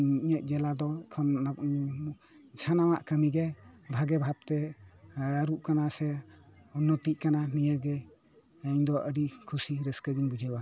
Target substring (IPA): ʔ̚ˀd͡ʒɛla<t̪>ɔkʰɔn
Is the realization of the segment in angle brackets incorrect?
yes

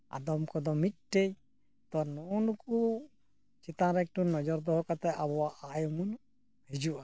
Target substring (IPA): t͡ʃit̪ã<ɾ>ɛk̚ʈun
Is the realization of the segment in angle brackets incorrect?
no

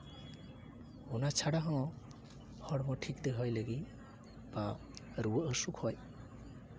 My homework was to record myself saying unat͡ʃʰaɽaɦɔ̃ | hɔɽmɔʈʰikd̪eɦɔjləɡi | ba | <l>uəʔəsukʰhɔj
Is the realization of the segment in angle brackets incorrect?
yes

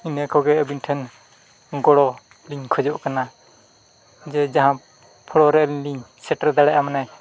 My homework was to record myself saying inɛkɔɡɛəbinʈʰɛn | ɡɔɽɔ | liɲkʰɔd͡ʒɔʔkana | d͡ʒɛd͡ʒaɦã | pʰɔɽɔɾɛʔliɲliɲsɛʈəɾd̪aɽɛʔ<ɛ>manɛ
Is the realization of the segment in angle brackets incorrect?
yes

